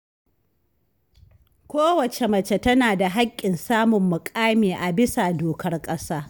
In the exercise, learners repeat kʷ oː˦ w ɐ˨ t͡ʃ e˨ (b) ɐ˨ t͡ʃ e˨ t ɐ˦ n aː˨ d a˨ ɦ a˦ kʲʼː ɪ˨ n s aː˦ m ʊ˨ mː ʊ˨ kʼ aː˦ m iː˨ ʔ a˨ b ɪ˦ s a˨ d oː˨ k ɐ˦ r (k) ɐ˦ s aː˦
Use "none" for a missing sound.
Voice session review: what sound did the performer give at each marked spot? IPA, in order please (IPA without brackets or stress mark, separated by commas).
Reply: m, kʼ